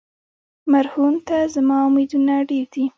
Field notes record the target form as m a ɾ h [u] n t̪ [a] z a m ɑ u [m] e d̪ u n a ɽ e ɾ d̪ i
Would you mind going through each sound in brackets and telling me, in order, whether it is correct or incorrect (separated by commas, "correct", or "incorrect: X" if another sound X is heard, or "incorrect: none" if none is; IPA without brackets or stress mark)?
correct, correct, correct